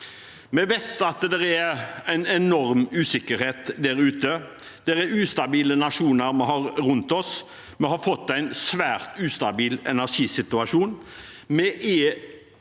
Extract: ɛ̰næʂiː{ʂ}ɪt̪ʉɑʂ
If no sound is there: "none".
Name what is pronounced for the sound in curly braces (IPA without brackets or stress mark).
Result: s